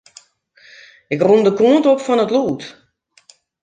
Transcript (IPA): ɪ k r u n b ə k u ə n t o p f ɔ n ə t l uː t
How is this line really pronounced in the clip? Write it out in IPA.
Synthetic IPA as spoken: ɪ k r u n d ə k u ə n t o p f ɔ n ə t l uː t